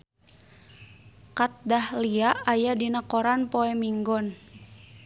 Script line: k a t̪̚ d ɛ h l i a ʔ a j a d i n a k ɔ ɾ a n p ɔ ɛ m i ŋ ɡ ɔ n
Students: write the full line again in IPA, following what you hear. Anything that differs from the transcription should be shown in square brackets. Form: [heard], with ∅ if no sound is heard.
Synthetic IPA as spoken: k a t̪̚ d [a] h l i a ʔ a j a d i n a k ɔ ɾ a n p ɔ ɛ m i ŋ ɡ ɔ n